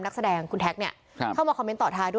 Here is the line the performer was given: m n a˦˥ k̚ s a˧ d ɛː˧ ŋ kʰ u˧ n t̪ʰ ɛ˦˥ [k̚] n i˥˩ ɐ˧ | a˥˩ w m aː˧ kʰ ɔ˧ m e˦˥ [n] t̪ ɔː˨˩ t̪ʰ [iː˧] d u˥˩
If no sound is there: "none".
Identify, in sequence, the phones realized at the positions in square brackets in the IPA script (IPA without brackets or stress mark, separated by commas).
k̚, n, aː˧